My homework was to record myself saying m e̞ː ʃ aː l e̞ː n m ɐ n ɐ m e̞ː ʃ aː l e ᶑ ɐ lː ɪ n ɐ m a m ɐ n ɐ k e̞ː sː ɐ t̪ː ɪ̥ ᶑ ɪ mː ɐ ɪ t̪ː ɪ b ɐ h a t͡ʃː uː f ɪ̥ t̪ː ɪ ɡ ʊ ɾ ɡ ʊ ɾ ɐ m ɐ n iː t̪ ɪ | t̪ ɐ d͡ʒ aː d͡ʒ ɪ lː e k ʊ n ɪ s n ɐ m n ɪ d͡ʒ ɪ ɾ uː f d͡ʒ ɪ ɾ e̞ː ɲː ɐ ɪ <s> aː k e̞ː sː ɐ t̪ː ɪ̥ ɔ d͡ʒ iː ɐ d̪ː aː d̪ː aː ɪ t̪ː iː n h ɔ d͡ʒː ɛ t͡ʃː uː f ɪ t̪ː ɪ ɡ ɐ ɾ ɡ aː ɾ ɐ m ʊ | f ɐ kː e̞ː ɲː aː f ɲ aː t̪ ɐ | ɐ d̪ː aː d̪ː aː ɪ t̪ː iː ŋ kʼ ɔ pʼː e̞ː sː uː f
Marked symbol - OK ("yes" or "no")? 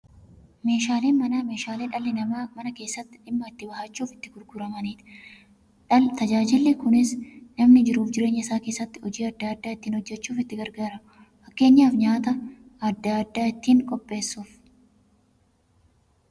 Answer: yes